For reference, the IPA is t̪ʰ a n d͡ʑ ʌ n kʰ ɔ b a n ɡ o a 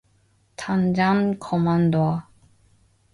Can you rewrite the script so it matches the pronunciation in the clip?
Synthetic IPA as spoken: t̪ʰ a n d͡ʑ a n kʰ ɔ m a n d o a